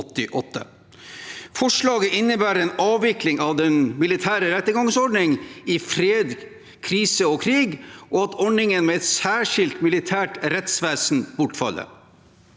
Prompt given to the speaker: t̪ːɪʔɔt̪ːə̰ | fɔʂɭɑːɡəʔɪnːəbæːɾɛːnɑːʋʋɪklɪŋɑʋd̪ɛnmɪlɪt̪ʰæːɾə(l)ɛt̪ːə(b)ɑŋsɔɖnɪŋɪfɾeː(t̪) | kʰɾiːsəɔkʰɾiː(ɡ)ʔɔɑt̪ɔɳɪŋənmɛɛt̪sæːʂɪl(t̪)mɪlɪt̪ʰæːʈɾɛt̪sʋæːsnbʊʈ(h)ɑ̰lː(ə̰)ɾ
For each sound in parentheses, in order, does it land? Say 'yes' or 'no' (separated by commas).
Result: no, no, no, yes, yes, no, yes